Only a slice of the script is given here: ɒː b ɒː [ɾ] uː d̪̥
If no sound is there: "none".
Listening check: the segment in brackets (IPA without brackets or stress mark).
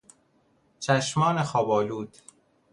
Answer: l